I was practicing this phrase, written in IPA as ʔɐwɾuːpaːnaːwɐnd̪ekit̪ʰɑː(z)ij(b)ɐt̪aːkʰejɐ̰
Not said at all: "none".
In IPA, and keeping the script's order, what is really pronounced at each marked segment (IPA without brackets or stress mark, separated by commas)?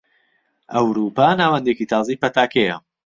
z, p